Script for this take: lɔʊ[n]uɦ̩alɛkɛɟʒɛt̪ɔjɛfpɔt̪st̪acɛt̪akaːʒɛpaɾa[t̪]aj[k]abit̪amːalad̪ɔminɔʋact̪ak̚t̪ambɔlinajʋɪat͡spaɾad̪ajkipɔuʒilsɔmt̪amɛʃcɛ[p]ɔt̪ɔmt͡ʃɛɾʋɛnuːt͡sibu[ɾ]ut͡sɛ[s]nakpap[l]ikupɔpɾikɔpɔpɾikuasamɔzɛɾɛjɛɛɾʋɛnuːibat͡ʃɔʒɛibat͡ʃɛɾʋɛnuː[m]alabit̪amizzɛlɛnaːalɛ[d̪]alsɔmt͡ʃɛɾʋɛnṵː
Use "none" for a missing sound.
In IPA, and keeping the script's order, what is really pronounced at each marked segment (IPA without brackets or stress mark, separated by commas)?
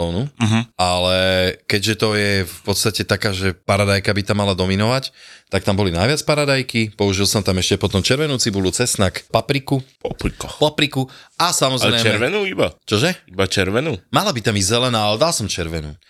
n, d̪, k, p, l, s, ɾ, m, d̪